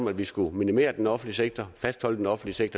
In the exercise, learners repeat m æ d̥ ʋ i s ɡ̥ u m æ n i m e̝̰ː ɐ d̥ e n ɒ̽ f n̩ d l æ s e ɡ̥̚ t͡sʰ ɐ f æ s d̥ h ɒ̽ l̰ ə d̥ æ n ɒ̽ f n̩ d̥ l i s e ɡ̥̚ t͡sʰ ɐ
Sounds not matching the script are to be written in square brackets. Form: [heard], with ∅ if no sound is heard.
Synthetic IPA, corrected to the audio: m æ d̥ ʋ i s ɡ̥ u m [i] n i m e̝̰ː ɐ d̥ e n ɒ̽ f n̩ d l [i] s e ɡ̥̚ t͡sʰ ɐ f æ s d̥ h ɒ̽ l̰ ə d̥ [e] n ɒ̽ f n̩ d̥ l i s e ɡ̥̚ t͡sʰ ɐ